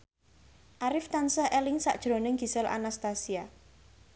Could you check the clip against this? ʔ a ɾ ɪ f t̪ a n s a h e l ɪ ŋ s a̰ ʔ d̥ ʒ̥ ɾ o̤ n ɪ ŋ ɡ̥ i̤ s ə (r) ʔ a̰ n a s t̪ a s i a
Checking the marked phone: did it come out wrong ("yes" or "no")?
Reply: yes